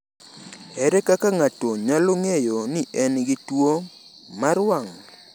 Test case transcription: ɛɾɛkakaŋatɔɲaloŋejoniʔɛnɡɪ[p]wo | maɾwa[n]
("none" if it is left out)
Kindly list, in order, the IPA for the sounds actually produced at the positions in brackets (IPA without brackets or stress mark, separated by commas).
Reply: t, ŋ